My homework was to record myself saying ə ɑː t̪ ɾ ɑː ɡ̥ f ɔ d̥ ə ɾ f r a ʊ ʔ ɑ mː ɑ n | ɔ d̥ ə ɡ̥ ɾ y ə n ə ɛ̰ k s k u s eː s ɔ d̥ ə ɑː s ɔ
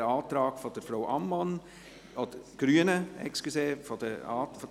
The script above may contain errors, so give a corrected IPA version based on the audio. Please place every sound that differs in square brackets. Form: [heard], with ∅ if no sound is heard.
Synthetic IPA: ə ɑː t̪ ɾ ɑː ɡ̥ f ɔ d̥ ə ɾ f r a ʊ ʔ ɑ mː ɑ n | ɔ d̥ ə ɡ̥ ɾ y ə n ə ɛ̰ k s k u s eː [f] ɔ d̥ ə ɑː [f] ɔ